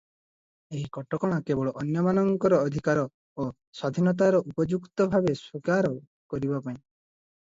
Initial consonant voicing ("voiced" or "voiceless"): voiced